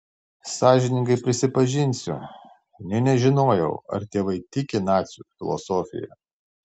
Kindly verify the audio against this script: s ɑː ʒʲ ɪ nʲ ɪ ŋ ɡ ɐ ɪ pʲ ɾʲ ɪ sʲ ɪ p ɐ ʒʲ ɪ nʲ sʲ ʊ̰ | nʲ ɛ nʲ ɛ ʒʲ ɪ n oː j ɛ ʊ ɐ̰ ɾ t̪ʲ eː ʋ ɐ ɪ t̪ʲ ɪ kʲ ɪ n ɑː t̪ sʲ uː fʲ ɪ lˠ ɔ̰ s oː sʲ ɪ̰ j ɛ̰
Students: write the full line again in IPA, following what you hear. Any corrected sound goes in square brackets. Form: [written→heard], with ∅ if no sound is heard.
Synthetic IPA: s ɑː ʒʲ ɪ nʲ ɪ ŋ ɡ ɐ ɪ pʲ ɾʲ ɪ sʲ ɪ p ɐ ʒʲ ɪ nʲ sʲ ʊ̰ | nʲ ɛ nʲ ɛ ʒʲ ɪ n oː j ɛ ʊ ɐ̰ ɾ t̪ʲ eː ʋ ɐ ɪ t̪ʲ ɪ kʲ ɪ n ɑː t̪ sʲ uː fʲ ɪ lˠ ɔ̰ s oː [sʲ→fʲ] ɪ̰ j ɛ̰